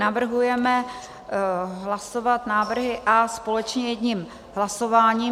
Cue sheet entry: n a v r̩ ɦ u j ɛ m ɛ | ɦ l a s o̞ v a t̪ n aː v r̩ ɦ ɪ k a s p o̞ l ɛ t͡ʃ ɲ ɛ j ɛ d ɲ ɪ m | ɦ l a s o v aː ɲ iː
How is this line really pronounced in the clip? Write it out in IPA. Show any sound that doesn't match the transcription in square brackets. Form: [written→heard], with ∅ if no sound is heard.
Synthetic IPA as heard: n a v r̩ ɦ u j ɛ m ɛ | ɦ l a s o̞ v a t̪ n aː v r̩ ɦ ɪ [k→ʔ] a s p o̞ l ɛ t͡ʃ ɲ ɛ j ɛ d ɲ [ɪ→i] m | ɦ l a s o v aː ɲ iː